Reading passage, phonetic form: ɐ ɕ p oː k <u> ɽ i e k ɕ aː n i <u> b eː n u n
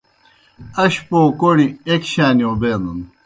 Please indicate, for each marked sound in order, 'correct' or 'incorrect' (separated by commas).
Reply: incorrect, incorrect